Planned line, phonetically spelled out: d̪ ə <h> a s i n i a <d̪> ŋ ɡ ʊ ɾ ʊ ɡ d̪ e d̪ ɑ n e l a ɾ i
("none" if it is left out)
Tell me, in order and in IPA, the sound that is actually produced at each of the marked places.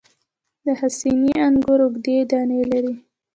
h, none

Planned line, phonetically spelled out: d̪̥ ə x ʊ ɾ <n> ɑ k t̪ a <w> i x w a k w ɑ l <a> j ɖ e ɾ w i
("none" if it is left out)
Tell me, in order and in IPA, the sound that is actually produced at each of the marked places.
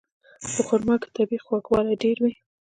m, b, a

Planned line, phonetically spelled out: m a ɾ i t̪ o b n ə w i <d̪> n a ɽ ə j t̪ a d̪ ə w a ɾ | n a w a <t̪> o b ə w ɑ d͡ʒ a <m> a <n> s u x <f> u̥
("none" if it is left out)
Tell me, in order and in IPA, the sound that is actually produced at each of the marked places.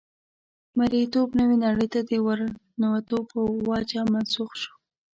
none, t̪, m, n, ʃ

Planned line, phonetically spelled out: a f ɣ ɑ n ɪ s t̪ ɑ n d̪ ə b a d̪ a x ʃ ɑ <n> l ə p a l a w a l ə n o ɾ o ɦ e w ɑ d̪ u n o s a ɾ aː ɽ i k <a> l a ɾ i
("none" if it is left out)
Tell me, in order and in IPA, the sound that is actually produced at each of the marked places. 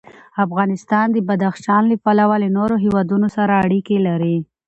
n, e

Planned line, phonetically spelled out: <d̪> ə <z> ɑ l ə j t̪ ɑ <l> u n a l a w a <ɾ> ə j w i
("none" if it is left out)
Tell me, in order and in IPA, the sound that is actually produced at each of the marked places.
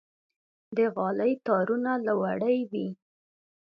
d̪, ɣ, ɾ, ɽ

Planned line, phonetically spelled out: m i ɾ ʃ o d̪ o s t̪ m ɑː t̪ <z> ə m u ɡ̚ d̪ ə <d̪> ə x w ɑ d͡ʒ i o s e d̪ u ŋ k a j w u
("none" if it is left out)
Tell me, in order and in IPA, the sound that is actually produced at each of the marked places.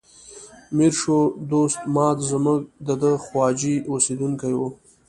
z, d̪

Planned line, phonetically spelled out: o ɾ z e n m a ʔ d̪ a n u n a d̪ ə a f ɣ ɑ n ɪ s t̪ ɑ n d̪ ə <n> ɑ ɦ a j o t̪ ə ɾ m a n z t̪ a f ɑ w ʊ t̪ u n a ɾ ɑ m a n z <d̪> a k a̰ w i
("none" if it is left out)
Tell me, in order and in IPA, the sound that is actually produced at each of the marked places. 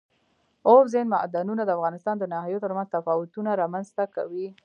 n, t̪

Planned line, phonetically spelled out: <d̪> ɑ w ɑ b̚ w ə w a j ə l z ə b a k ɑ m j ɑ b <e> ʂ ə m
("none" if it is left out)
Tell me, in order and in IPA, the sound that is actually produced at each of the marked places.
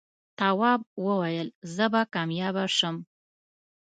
t̪, a

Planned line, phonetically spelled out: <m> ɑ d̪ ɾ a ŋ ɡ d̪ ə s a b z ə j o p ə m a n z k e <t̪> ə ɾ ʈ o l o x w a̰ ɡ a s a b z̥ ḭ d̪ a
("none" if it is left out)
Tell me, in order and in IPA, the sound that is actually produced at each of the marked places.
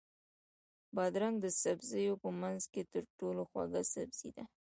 b, t̪

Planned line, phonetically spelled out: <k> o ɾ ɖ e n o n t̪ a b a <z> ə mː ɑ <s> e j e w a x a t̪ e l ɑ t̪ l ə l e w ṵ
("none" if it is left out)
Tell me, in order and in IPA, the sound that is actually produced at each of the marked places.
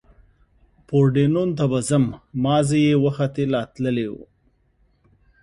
p, z, z

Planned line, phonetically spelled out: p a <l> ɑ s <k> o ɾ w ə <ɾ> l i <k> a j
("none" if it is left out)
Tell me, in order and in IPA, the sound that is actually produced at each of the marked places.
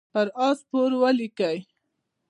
ɾ, p, none, k

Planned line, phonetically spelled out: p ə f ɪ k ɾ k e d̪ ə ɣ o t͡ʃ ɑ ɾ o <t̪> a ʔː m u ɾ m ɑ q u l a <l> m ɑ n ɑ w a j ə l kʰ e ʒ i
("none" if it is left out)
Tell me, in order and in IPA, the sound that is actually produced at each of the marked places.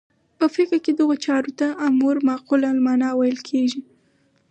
t̪, l

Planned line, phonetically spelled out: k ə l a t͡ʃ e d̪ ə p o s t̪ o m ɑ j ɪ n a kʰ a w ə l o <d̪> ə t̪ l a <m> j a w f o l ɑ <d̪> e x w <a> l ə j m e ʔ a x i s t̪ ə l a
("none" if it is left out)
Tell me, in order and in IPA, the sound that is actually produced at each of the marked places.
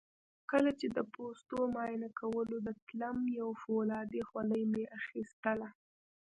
d̪, m, d̪, a

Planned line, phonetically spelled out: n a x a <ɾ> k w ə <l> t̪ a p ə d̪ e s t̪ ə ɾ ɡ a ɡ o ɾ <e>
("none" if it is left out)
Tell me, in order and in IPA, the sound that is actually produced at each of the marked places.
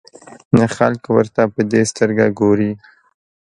l, ɾ, i

